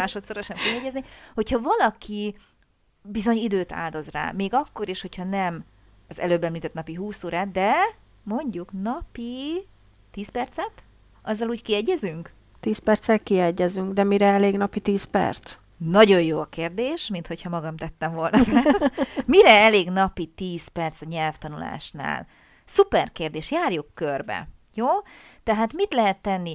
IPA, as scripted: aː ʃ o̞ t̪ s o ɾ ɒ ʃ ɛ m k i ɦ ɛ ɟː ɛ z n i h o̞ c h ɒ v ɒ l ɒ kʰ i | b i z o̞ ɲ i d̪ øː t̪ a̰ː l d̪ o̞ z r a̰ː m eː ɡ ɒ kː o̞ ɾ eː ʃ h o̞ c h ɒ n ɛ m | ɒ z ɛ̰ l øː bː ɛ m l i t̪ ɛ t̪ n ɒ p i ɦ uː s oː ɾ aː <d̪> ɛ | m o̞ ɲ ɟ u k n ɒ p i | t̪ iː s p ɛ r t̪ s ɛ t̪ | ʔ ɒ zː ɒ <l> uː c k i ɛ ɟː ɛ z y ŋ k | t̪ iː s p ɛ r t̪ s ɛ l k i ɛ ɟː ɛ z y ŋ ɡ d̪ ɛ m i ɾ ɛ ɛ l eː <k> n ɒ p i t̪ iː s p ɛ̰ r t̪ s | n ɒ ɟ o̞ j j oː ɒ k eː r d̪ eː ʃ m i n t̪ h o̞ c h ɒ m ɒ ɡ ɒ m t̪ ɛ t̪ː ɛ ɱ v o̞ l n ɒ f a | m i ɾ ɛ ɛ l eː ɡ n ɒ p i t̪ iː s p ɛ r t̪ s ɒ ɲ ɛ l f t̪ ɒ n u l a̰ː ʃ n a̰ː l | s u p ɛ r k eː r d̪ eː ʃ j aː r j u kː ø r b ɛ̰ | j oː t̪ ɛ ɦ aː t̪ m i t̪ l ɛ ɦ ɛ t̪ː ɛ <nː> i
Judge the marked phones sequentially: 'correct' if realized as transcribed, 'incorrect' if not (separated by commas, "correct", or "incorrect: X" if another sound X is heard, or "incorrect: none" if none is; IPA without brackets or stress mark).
correct, correct, incorrect: ɡ, correct